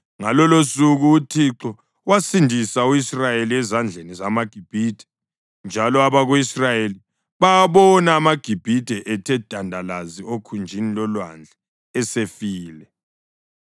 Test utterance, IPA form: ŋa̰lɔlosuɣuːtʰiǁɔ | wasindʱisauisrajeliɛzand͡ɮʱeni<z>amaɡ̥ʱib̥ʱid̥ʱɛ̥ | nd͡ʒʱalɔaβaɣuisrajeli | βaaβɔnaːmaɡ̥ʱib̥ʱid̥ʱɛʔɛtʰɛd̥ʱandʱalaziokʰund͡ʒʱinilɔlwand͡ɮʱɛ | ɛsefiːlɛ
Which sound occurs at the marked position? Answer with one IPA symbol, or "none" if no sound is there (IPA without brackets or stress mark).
z